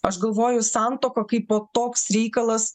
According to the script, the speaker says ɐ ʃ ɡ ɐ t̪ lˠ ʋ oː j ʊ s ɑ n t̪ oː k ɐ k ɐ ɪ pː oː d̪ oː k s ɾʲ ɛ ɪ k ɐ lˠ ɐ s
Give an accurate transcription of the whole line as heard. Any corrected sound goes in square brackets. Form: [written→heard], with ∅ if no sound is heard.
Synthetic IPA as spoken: ɐ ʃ ɡ ɐ [t̪→∅] lˠ ʋ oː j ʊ s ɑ n t̪ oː k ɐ k ɐ ɪ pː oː [d̪→t̪] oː k s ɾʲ ɛ ɪ k ɐ lˠ ɐ s